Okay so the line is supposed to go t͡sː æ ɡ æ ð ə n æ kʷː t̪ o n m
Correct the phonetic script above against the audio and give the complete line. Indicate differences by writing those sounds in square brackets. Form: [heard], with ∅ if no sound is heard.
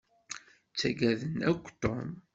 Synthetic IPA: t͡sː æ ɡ æ ð ə n æ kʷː t̪ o [∅] m